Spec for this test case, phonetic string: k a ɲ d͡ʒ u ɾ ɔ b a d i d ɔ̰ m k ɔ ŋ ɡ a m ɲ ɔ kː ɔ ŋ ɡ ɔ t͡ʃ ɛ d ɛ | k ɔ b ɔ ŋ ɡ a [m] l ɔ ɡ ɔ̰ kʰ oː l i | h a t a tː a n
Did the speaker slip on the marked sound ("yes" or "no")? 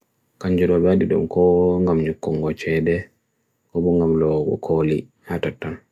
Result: no